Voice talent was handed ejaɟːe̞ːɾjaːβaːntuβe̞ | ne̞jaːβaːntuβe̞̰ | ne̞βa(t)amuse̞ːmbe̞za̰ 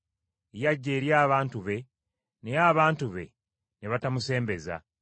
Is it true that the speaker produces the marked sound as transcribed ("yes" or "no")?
yes